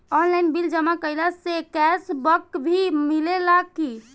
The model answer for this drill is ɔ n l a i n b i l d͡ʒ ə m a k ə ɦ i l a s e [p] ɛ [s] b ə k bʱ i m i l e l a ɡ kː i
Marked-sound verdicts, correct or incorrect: incorrect: k, correct

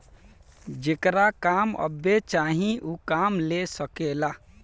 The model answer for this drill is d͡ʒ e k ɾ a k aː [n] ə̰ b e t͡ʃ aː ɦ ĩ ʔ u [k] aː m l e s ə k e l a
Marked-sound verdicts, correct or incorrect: incorrect: m, correct

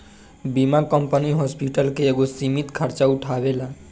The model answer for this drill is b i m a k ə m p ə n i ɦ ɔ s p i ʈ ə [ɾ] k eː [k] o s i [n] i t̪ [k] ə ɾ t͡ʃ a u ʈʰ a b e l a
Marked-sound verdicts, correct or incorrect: incorrect: l, incorrect: ɡ, incorrect: m, incorrect: kʰ

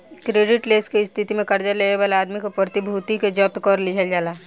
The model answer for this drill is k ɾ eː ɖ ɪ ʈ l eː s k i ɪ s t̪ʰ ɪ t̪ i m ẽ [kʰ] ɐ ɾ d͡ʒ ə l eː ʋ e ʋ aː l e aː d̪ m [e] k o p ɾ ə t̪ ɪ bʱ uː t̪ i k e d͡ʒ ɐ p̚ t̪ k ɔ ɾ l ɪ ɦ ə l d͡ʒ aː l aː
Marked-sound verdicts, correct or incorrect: incorrect: k, incorrect: i

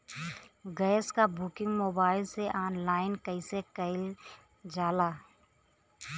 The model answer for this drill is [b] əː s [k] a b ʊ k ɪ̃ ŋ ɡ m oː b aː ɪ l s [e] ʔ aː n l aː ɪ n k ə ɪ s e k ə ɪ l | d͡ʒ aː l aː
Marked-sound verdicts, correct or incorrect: incorrect: ɡ, correct, correct

